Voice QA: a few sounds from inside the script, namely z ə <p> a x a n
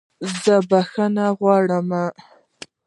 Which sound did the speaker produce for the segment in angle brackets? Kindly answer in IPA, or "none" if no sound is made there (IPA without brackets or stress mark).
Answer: b